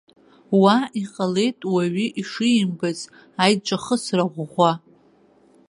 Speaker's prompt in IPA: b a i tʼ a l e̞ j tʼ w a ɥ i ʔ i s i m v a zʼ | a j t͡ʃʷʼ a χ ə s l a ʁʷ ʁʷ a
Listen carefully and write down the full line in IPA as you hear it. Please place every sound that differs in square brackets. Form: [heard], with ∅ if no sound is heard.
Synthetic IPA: [w] a i [qʼ] a l e̞ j tʼ w a ɥ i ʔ i [ʂ] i m [b] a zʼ | a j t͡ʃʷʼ a χ ə s [r] a ʁʷ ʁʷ a